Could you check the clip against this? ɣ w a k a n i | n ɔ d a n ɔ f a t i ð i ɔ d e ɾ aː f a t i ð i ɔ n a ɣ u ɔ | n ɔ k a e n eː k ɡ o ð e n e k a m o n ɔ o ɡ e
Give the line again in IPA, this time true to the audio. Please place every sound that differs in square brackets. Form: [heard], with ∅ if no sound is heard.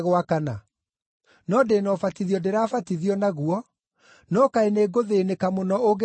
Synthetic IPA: ɣ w a k a n [a] | n ɔ d [e] n ɔ f a t i ð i ɔ d e ɾ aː f a t i ð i ɔ n a ɣ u ɔ | n ɔ k a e n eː [∅] ɡ o ð e n e k a m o n ɔ o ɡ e